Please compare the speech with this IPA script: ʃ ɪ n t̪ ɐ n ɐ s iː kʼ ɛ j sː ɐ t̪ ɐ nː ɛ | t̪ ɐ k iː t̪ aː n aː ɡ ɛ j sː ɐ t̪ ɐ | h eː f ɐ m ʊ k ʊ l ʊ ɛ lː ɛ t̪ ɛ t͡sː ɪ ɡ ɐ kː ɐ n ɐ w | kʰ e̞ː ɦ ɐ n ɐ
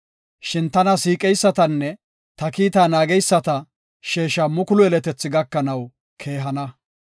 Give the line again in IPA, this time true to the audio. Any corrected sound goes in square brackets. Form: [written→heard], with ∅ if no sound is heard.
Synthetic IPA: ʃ ɪ n t̪ ɐ n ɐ s iː kʼ ɛ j sː ɐ t̪ ɐ nː ɛ | t̪ ɐ k iː t̪ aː n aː ɡ ɛ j sː ɐ t̪ ɐ | [h→ʃ] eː [f→ʃ] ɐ m ʊ k ʊ l ʊ ɛ [lː→l] ɛ t̪ ɛ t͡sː ɪ ɡ ɐ kː ɐ n ɐ w | kʰ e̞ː ɦ ɐ n ɐ

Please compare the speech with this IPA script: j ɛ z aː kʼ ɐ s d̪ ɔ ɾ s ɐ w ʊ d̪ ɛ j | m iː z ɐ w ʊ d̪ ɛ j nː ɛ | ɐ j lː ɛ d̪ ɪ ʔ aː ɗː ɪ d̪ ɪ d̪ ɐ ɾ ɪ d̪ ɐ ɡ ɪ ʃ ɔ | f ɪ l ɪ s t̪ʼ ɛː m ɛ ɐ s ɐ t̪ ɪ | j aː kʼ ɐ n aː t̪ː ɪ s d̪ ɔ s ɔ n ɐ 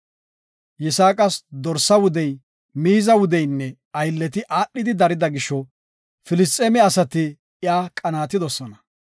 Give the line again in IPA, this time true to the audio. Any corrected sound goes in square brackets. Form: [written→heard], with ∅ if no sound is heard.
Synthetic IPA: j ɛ [z→s] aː kʼ ɐ s d̪ ɔ ɾ s ɐ w ʊ d̪ ɛ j | m iː z ɐ w ʊ d̪ ɛ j nː ɛ | ɐ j lː ɛ [d̪→t̪] ɪ ʔ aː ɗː ɪ d̪ ɪ d̪ ɐ ɾ ɪ d̪ ɐ ɡ ɪ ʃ ɔ | f ɪ l ɪ s t̪ʼ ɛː m ɛ ɐ s ɐ t̪ ɪ | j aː kʼ ɐ n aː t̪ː ɪ [s→∅] d̪ ɔ s ɔ n ɐ

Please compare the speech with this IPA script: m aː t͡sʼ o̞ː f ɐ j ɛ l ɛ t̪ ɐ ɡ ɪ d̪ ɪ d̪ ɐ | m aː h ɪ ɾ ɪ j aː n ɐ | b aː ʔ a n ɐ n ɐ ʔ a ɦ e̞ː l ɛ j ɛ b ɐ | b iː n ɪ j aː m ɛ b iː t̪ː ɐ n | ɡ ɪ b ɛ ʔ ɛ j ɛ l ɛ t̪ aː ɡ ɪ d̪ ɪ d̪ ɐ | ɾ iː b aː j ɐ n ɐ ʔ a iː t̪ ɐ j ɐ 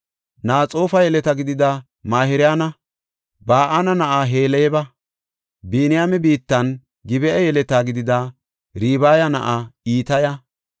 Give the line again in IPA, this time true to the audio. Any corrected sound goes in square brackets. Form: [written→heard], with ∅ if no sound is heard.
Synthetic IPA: [m→n] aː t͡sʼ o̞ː f ɐ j ɛ l ɛ t̪ ɐ ɡ ɪ d̪ ɪ d̪ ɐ | m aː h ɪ ɾ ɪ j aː n ɐ | b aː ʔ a n ɐ n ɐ ʔ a ɦ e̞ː l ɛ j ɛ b ɐ | b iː n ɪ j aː m ɛ b iː t̪ː ɐ n | ɡ ɪ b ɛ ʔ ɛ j ɛ l ɛ t̪ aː ɡ ɪ d̪ ɪ d̪ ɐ | ɾ iː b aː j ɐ n ɐ ʔ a iː t̪ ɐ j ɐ

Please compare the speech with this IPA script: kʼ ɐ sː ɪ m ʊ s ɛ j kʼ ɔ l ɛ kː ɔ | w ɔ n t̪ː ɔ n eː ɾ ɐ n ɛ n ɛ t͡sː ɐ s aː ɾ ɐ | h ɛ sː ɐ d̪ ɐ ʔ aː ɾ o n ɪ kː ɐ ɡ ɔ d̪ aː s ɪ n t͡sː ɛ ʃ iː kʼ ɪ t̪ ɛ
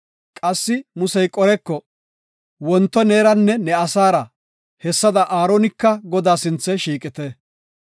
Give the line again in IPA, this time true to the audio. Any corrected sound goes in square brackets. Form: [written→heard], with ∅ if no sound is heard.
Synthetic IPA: kʼ ɐ sː ɪ m ʊ s ɛ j kʼ ɔ [l→ɾ] ɛ kː ɔ | w ɔ n t̪ː ɔ n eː ɾ ɐ [n→nː] ɛ n ɛ [t͡sː→∅] ɐ s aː ɾ ɐ | h ɛ sː ɐ d̪ ɐ ʔ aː ɾ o n ɪ kː ɐ ɡ ɔ d̪ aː s ɪ n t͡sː ɛ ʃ iː kʼ ɪ t̪ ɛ

